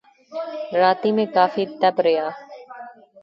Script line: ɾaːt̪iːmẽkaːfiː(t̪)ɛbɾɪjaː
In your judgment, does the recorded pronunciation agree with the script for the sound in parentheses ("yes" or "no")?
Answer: yes